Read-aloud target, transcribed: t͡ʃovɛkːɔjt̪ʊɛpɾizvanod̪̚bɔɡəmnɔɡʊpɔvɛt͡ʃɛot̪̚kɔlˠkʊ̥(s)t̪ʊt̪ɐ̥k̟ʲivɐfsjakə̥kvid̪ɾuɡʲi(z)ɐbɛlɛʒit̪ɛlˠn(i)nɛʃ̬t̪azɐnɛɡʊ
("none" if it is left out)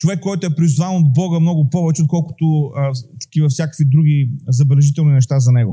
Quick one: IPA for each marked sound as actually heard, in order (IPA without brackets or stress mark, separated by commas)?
none, z, i